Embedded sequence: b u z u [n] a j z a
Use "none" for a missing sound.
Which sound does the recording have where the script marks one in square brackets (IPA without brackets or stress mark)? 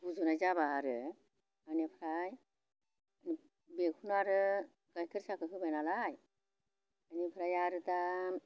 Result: n